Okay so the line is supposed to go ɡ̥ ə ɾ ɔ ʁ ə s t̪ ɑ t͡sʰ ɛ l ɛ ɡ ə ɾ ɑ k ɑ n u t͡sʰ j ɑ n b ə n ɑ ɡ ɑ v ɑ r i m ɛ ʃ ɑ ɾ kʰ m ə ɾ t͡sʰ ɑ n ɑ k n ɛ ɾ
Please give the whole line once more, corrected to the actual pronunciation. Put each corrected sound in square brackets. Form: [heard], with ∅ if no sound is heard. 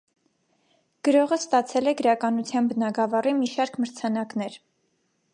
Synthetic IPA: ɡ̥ ə ɾ ɔ ʁ ə s t̪ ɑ t͡sʰ ɛ l ɛ ɡ ə ɾ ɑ k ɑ n u t͡sʰ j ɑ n b ə n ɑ ɡ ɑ v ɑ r i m [i] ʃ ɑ ɾ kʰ m ə ɾ t͡sʰ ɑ n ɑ k n ɛ ɾ